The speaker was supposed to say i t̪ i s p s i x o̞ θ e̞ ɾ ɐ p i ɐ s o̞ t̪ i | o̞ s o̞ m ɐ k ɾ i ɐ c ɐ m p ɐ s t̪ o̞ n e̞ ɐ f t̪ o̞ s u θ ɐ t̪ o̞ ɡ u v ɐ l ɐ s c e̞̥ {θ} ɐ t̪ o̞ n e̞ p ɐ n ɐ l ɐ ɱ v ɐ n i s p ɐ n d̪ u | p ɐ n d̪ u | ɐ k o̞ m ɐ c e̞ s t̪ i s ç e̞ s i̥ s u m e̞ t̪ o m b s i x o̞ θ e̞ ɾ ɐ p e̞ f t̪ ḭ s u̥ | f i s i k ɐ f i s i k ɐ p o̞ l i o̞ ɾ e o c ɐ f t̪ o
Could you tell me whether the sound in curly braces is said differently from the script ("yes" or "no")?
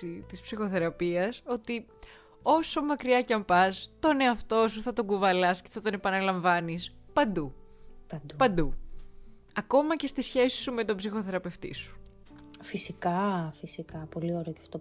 no